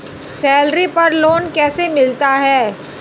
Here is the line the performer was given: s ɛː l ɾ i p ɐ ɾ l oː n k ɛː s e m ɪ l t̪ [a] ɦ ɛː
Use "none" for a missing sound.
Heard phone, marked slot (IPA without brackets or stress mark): a